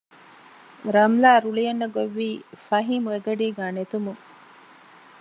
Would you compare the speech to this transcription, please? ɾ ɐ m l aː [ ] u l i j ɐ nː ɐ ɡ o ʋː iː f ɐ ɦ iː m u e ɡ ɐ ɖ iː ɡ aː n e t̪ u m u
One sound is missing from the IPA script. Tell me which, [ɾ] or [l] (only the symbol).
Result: ɾ